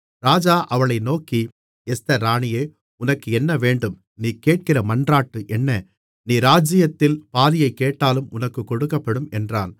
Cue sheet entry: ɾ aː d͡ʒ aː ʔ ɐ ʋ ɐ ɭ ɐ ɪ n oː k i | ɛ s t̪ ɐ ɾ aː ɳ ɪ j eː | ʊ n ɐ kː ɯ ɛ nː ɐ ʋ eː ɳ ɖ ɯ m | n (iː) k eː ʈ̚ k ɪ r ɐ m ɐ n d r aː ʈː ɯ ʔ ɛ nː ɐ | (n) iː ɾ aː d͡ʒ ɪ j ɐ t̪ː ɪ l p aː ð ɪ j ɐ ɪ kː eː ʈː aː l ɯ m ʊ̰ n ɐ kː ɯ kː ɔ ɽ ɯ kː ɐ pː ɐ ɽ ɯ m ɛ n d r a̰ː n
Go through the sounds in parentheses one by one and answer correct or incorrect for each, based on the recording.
correct, correct

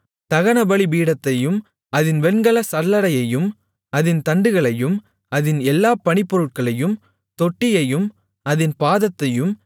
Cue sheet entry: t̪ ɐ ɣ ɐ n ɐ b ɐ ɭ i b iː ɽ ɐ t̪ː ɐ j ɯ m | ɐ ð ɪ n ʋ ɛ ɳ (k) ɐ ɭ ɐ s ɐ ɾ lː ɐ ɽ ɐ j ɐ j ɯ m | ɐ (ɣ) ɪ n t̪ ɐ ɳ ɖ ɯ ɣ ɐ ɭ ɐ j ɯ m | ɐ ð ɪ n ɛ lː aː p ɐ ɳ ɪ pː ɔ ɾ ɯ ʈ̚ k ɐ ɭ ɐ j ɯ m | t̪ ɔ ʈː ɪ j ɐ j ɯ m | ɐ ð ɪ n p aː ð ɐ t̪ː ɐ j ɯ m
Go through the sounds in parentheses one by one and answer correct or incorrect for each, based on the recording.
incorrect, incorrect

